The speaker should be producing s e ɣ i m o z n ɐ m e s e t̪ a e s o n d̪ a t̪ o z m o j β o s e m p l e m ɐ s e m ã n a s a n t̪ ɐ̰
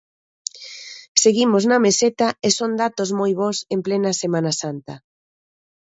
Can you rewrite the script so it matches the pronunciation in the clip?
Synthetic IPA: s e ɣ i m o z n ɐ m e s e t̪ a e s o n d̪ a t̪ o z m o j β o s e m p l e n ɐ s e m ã n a s a n t̪ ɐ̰